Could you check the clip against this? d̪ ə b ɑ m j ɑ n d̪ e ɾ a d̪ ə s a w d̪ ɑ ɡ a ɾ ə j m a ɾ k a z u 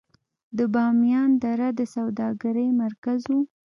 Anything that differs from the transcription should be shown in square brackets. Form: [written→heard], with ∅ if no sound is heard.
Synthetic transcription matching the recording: d̪ ə b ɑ m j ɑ n d̪ [e→a] ɾ a d̪ ə s a w d̪ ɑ ɡ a ɾ ə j m a ɾ k a z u